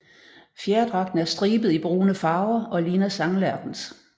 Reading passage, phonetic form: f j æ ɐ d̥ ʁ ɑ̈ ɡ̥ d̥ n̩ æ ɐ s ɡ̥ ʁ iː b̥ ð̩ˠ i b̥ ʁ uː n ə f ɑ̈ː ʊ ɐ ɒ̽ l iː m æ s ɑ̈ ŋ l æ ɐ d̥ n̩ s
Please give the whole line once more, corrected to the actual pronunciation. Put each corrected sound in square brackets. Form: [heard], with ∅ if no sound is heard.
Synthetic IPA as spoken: f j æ ɐ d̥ ʁ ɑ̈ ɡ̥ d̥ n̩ æ ɐ s [d̥] ʁ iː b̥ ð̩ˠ i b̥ ʁ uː n ə f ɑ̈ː ʊ ɐ ɒ̽ l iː [n] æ s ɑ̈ ŋ l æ ɐ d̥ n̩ s